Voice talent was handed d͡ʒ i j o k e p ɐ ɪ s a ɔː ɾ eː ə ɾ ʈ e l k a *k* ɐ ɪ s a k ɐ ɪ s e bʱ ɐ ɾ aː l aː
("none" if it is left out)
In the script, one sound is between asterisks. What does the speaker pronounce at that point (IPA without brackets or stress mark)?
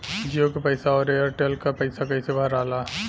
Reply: p